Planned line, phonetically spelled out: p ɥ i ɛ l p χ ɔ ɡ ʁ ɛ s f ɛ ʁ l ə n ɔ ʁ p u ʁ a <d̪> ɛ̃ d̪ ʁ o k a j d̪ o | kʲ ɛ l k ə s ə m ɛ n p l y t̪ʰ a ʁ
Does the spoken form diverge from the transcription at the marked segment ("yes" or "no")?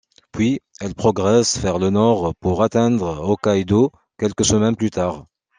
yes